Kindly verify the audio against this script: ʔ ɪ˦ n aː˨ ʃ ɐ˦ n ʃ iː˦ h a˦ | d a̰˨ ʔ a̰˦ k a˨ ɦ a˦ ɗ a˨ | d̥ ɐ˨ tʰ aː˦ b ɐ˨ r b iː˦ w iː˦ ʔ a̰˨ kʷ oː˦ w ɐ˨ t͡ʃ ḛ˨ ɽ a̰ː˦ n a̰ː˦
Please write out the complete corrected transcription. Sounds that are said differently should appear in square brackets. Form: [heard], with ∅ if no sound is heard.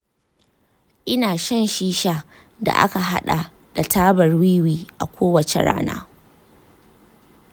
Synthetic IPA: ʔ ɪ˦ n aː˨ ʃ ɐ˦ n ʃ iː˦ [ʃ] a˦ | d a̰˨ ʔ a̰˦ k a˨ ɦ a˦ ɗ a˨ | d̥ [a˨] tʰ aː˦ b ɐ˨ r [w] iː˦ w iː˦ ʔ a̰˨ kʷ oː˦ w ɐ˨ t͡ʃ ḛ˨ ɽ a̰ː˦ n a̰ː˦